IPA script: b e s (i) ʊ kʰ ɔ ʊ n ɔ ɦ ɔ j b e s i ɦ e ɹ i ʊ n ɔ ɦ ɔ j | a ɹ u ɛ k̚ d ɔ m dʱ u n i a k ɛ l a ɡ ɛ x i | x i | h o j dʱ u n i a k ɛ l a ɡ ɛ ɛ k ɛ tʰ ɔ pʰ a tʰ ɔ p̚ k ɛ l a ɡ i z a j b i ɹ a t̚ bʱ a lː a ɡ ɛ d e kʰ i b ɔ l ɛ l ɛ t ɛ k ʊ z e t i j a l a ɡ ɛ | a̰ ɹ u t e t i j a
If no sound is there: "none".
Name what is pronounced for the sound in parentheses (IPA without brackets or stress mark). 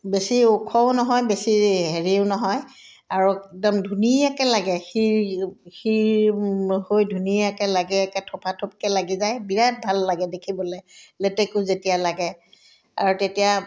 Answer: i